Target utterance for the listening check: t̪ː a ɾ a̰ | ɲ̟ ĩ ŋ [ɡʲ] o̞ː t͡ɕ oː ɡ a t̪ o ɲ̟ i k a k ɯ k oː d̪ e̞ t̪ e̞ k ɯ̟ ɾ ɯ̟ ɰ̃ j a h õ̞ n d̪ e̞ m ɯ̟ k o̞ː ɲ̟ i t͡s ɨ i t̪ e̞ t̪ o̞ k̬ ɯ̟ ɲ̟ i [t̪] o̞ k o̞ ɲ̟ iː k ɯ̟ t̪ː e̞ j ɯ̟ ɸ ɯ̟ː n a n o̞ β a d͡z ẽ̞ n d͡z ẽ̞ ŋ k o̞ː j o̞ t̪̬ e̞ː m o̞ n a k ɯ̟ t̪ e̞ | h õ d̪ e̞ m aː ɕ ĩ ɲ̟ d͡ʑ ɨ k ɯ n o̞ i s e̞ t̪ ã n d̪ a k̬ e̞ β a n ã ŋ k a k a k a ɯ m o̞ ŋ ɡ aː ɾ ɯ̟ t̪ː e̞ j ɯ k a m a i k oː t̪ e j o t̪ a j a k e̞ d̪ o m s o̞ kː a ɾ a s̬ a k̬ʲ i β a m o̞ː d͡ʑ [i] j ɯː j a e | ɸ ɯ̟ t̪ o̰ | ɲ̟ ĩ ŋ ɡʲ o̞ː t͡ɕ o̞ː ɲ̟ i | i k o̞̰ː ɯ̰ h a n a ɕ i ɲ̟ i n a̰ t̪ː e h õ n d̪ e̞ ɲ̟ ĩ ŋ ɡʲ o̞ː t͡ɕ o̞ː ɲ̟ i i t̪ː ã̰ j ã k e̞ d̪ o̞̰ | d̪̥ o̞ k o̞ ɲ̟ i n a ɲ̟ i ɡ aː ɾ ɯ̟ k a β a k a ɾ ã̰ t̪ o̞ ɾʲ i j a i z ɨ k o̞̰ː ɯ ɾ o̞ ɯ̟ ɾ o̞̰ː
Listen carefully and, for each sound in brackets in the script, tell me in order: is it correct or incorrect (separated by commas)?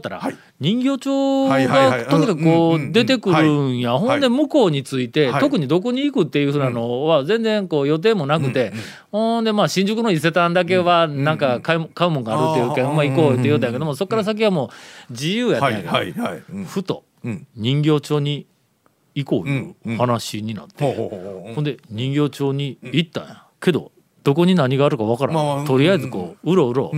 correct, incorrect, correct